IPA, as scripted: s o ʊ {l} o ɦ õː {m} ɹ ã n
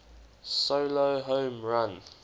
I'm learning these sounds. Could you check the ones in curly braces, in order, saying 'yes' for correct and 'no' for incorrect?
yes, yes

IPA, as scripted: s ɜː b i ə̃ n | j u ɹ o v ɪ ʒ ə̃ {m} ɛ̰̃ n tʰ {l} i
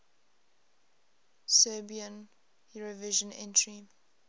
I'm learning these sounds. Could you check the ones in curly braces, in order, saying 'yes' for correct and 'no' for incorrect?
no, no

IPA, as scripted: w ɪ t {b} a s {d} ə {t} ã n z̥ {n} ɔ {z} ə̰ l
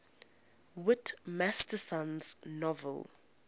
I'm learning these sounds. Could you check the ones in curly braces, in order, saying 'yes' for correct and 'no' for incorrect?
no, no, no, yes, no

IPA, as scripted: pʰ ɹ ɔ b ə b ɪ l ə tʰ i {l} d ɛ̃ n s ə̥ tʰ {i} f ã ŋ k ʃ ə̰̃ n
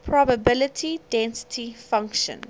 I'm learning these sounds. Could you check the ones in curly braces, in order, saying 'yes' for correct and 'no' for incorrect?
no, yes

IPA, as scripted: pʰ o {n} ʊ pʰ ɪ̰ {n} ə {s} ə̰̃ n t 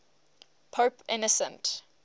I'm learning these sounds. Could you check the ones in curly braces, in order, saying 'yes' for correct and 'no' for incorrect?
no, yes, yes

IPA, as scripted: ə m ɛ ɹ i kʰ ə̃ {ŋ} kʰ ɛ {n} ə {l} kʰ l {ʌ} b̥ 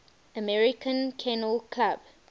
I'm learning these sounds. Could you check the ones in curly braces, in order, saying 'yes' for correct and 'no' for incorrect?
no, yes, yes, no

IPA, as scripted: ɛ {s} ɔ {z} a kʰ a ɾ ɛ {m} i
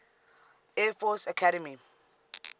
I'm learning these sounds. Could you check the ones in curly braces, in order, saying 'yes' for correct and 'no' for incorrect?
no, no, yes

